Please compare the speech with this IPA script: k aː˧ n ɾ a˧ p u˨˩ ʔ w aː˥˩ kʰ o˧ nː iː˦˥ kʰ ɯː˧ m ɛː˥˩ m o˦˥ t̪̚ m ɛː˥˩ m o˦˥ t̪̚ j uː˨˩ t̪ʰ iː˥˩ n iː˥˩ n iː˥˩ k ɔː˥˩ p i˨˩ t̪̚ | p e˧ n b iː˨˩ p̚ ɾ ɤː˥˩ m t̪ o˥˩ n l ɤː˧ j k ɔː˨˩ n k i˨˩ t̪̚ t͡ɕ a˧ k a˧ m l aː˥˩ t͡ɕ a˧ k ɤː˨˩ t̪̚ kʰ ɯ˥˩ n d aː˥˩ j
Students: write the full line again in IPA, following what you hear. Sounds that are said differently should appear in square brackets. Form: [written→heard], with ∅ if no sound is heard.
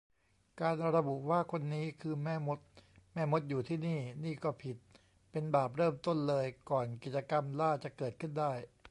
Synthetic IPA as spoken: k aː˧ n ɾ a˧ [p→b] u˨˩ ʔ w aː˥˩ kʰ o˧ nː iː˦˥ kʰ ɯː˧ m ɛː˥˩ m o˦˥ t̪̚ m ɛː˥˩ m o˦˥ t̪̚ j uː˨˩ t̪ʰ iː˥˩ n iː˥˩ n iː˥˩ k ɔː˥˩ [p→pʰ] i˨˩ t̪̚ | p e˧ n b [iː˨˩→aː˨˩] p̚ ɾ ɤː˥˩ m t̪ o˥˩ n l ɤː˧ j k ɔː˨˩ n k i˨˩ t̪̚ t͡ɕ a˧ k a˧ m l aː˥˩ t͡ɕ [a˧→a˨˩] k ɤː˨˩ t̪̚ kʰ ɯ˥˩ n d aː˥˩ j